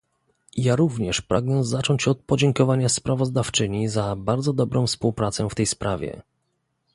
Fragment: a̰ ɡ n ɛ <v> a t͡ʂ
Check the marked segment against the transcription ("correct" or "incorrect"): incorrect